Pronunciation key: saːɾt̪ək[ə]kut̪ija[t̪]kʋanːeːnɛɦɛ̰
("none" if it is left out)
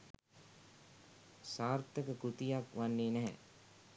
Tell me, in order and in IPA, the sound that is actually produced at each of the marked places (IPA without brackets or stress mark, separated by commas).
ə, none